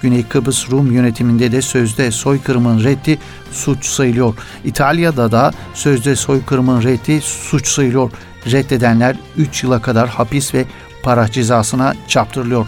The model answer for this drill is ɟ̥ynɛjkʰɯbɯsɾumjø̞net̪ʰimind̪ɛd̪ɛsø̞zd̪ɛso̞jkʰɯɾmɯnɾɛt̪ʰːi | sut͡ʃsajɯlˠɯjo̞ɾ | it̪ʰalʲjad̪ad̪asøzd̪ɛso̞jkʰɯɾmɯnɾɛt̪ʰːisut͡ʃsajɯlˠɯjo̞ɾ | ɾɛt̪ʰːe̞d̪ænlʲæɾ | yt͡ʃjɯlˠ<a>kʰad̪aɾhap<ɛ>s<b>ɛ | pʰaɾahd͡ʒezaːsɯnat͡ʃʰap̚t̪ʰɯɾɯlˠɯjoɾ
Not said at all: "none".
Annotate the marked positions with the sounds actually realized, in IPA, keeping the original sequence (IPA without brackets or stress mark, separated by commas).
a, i, v